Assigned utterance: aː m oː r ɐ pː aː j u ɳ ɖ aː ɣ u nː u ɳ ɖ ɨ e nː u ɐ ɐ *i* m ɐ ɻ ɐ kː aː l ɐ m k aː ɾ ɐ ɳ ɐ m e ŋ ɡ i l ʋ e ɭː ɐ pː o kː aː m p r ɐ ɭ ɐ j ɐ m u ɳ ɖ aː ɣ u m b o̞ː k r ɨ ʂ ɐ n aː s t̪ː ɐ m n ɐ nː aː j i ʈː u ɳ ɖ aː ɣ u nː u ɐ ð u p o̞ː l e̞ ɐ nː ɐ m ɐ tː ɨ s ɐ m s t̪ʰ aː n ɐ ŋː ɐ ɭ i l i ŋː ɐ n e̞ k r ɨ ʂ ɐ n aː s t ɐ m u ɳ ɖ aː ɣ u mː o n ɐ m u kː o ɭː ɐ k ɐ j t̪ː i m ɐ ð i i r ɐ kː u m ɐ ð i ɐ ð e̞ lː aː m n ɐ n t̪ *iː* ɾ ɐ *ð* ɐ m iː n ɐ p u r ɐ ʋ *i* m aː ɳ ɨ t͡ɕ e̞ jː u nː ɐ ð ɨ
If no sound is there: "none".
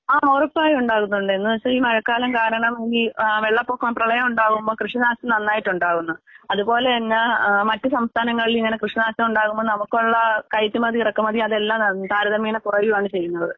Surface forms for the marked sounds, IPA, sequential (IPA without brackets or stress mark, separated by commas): iː, aː, ð, i